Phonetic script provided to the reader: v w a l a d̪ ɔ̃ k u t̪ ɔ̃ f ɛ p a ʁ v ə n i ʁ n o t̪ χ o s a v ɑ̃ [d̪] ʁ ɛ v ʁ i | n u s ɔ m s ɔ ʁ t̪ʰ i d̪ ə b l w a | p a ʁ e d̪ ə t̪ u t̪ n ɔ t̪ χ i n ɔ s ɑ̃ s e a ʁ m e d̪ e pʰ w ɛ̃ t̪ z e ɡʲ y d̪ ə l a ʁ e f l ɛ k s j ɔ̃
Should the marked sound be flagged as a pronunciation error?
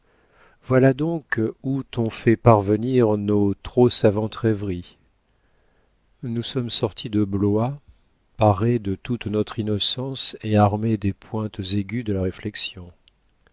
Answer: yes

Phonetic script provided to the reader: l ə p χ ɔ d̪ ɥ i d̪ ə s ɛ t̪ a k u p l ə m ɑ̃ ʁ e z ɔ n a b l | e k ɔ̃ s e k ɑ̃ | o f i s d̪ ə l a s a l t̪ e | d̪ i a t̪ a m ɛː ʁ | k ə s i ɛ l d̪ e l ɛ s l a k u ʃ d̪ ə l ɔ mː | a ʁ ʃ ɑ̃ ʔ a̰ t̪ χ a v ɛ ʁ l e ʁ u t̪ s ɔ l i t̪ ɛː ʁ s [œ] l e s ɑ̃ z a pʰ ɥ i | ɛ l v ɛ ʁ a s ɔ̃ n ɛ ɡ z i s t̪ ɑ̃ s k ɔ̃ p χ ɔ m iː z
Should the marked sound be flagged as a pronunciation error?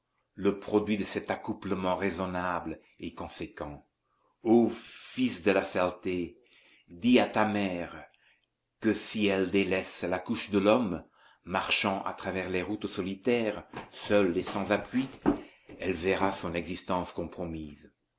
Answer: no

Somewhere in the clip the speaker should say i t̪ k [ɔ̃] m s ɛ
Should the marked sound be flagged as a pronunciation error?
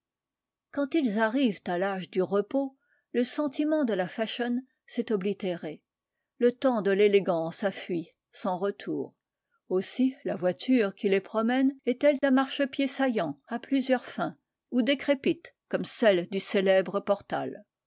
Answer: yes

